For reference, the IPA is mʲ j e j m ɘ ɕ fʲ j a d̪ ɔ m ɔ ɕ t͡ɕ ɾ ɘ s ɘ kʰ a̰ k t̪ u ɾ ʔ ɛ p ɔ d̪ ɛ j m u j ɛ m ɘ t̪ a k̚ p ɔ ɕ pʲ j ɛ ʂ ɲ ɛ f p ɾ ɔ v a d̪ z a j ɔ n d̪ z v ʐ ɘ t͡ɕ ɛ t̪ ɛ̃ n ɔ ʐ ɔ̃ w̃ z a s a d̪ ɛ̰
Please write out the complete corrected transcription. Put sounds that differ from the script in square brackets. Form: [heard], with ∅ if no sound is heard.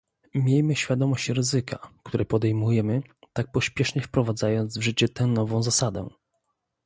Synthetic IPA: mʲ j e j m ɘ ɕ fʲ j a d̪ ɔ m ɔ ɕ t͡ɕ ɾ ɘ [z] ɘ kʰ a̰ k t̪ u ɾ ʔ ɛ p ɔ d̪ ɛ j m u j ɛ m ɘ t̪ a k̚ p ɔ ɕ pʲ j ɛ ʂ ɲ ɛ f p ɾ ɔ v a d̪ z a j ɔ n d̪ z v ʐ ɘ t͡ɕ ɛ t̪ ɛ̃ n ɔ [v] ɔ̃ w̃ z a s a d̪ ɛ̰